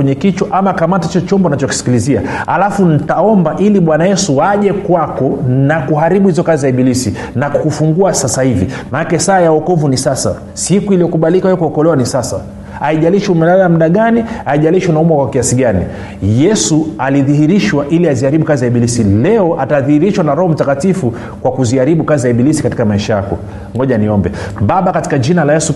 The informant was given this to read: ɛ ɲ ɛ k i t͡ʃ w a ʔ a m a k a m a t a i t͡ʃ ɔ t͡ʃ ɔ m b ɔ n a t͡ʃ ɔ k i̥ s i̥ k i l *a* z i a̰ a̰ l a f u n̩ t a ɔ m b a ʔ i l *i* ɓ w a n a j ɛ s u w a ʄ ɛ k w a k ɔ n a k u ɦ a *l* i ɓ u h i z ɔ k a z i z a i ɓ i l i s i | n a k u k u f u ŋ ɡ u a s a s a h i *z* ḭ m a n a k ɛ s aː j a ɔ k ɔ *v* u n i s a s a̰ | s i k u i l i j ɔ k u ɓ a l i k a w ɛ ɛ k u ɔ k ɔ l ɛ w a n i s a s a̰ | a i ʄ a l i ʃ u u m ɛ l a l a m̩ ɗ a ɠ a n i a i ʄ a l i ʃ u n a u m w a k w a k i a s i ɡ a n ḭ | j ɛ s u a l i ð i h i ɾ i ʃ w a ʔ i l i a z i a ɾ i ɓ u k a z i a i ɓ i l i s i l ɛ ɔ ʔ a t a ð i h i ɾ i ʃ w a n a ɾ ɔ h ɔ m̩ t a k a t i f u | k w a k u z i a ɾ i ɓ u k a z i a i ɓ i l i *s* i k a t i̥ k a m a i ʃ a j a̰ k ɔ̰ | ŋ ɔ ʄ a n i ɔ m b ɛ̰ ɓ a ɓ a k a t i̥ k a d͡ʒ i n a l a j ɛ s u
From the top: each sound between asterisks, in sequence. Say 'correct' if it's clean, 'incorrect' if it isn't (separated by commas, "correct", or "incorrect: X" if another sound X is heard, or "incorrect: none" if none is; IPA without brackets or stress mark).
incorrect: i, correct, incorrect: ɾ, incorrect: v, correct, correct